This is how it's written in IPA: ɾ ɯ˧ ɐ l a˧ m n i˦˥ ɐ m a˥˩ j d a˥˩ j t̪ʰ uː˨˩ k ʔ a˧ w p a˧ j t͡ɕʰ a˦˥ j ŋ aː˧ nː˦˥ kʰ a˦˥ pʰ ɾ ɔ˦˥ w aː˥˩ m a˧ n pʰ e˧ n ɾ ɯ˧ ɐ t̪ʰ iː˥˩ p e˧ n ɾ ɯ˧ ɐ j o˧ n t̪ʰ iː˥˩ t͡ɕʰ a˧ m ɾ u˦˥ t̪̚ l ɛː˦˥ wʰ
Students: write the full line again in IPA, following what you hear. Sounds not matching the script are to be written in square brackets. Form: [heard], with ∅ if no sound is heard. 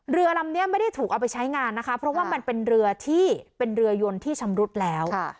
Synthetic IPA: ɾ ɯ˧ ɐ l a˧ m n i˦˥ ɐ m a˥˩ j d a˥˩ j t̪ʰ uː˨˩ k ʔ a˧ w p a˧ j t͡ɕʰ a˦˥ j ŋ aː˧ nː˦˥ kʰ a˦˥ pʰ ɾ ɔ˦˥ w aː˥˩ m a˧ n [p] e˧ n ɾ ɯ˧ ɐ t̪ʰ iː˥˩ p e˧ n ɾ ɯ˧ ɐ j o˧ n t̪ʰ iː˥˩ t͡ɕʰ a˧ m ɾ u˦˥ t̪̚ l ɛː˦˥ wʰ